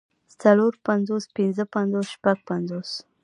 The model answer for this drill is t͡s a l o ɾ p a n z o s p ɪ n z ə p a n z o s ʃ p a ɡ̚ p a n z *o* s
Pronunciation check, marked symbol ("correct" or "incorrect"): correct